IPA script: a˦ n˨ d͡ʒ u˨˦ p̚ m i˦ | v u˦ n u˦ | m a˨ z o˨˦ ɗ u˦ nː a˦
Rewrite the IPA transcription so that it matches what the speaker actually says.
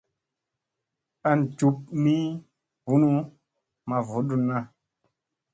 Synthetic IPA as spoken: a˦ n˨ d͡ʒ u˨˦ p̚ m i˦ | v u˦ n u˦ | m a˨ v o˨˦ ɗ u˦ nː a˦